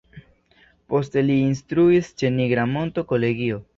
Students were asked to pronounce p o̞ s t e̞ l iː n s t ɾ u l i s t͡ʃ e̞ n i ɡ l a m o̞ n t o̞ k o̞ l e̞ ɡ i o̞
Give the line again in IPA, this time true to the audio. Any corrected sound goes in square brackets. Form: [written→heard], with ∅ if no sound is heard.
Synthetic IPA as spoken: p o̞ s t e̞ l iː n s t ɾ u [l→∅] i s t͡ʃ e̞ n i ɡ [l→ɾ] a m o̞ n t o̞ k o̞ l e̞ ɡ i o̞